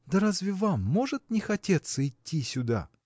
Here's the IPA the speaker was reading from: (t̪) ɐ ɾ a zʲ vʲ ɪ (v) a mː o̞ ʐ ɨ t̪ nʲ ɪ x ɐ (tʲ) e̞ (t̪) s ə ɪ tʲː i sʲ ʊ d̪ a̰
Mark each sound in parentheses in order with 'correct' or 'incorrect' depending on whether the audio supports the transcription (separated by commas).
incorrect, correct, correct, correct